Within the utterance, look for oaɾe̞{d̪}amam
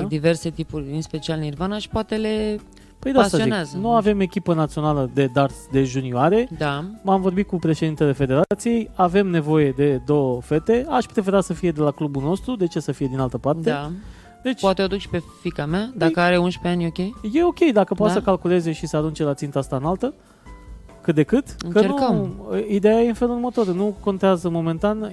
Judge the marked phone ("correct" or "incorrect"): correct